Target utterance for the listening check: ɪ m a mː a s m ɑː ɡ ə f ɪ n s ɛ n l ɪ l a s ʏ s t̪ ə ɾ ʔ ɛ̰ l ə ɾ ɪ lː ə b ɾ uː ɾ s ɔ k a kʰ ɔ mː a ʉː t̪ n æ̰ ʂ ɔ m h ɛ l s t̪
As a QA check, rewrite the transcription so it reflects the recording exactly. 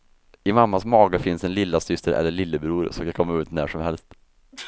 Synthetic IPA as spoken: ɪ m a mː a s m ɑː ɡ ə f ɪ n s ɛ n l ɪ lː a s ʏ s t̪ ə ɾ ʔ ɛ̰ lː ə ɭ ɪ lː ə b ɾ uː ɾ s ɔ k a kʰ ɔ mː a ʉː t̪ n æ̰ ʂ ɔ m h ɛ l s t̪

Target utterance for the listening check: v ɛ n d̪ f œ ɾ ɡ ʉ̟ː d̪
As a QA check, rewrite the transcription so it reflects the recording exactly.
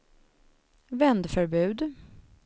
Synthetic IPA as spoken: v ɛ n d̪ f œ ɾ b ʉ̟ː d̪

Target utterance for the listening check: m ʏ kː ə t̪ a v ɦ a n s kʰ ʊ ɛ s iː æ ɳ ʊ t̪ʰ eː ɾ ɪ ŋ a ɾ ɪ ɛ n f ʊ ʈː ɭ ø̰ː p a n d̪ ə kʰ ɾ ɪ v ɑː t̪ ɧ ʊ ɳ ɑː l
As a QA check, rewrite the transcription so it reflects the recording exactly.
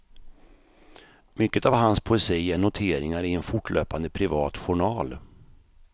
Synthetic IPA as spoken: m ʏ kː ə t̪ a v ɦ a n s pʰ ʊ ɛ s iː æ ɳ ʊ t̪ʰ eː ɾ ɪ ŋ a ɾ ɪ ɛ n f ʊ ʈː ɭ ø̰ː p a n d̪ ə pʰ ɾ ɪ v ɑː t̪ ɧ ʊ ɳ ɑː l

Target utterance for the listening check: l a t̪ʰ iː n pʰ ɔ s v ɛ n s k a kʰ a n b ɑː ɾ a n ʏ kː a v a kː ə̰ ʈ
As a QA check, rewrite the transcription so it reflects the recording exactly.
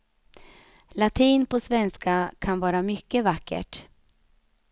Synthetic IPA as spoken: l a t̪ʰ iː n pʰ ɔ s v ɛ n s k a kʰ a n v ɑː ɾ a m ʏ kː ə v a kː ə̰ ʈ

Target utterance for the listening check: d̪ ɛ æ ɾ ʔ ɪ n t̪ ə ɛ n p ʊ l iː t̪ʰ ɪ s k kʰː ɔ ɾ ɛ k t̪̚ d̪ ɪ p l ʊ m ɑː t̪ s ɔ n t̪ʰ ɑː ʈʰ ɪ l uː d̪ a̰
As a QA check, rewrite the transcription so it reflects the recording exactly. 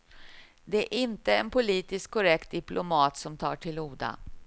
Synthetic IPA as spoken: d̪ ɛ æ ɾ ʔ ɪ n t̪ ə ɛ n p ʊ l iː t̪ ɪ s k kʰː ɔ ɾ ɛ k t̪̚ d̪ ɪ p l ʊ m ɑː t̪ s ɔ m t̪ʰ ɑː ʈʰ ɪ l uː d̪ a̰

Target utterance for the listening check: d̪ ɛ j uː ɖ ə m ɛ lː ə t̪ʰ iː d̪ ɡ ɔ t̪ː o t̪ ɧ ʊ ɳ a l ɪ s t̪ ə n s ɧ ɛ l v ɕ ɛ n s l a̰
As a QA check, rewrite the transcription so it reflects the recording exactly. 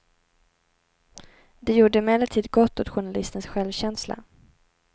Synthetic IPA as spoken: d̪ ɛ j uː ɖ ə m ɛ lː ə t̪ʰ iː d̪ ɡ ɔ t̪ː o t̪ ɧ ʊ ɳ a l ɪ s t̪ ə n s ɧ ɛ l v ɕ ɛ n s l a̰

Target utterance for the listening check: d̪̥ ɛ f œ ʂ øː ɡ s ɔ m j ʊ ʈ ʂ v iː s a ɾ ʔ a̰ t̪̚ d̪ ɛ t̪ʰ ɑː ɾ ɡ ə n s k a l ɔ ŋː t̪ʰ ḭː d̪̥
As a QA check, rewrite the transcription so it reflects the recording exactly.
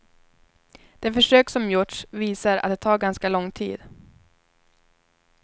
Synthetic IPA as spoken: d̪̥ ɛ f œ ʂ øː k s ɔ m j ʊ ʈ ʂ v iː s a ɾ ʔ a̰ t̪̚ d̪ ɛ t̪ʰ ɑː ɾ ɡ a n s k a l ɔ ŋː t̪ʰ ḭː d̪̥

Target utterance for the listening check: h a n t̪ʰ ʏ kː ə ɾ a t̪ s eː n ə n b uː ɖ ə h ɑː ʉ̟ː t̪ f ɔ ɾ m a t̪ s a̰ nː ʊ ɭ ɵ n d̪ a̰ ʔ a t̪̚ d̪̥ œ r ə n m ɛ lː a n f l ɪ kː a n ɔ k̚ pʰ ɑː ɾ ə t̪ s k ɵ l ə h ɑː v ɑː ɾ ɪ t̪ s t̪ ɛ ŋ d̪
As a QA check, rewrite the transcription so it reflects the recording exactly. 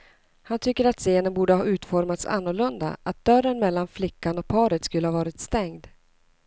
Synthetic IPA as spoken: h a n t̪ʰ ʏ kː ə ɾ a t̪ s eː n ə n b uː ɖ ə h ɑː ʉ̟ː t̪ f ɔ ɾ m a t̪ s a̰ nː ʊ ɭ ɵ n d̪ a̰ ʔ a t̪̚ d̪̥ œ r ə n m ɛ lː a n f l ɪ kː a n ɔ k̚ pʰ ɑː ɾ ə t̪ s k ɵ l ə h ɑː v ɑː ɾ ɪ t̪ s t̪ ɛ ŋ d̪

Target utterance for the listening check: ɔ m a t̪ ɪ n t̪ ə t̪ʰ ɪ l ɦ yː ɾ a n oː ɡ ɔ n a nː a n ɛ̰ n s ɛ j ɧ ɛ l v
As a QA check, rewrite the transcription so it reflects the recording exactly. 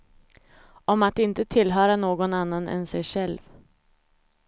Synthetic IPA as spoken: ɔ m a t̪ ɪ n t̪ ə t̪ʰ ɪ l ɦ œː ɾ a n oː ɡ ɔ n a nː a n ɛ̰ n s ɛ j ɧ ɛ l v

